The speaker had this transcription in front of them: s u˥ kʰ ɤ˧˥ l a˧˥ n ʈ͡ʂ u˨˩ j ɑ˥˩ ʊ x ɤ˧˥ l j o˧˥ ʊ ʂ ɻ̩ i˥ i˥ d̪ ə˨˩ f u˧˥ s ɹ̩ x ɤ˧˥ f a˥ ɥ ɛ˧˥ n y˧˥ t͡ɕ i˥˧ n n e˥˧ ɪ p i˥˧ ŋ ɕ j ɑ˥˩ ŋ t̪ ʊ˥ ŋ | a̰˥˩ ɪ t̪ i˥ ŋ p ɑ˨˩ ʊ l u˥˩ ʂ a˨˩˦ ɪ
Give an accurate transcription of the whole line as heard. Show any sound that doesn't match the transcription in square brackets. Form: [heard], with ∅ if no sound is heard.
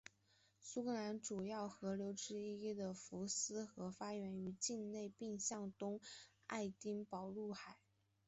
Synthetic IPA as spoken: s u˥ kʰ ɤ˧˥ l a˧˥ n ʈ͡ʂ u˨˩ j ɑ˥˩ ʊ x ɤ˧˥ l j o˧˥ ʊ [ʈ͡ʂ] ɻ̩ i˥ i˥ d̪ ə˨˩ f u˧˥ s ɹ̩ x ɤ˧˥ f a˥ ɥ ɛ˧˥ n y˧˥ t͡ɕ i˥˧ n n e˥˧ ɪ p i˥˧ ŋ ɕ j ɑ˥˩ ŋ t̪ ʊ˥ ŋ | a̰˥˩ ɪ t̪ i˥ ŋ p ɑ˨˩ ʊ l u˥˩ [x] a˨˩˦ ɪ